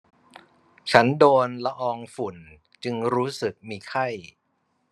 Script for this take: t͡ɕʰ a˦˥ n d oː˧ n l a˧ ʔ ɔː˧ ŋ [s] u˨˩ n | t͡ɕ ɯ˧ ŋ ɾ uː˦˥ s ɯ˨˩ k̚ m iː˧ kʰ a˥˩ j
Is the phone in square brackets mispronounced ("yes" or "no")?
yes